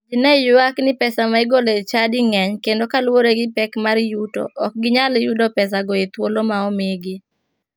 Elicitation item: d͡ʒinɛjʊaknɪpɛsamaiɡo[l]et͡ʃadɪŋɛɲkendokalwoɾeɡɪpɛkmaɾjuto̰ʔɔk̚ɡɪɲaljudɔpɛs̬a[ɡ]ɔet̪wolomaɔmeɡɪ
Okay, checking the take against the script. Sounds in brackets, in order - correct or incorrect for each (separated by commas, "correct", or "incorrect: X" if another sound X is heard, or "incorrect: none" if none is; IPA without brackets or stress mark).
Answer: correct, correct